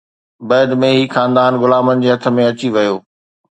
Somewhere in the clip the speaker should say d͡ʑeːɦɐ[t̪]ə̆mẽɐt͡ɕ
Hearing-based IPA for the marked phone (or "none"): t̪ʰ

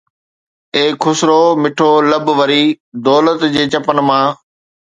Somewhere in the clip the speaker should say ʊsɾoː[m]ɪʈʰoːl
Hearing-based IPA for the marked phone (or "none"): m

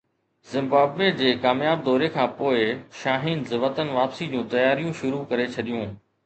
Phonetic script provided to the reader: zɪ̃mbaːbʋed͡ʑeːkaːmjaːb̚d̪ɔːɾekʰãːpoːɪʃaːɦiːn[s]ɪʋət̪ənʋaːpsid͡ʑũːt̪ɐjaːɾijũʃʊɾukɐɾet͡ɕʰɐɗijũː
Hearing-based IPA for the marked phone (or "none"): z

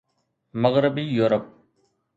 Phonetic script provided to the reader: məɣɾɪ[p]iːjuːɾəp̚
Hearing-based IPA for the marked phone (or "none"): b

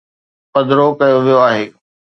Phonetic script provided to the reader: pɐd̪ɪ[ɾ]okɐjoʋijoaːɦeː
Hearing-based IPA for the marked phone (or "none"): ɾ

